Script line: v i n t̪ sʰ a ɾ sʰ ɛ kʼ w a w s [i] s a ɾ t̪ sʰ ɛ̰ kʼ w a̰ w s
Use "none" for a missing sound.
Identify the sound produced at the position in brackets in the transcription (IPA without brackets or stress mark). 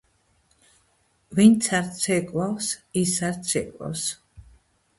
i